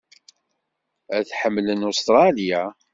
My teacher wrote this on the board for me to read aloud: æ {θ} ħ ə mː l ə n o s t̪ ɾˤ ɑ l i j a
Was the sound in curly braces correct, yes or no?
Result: yes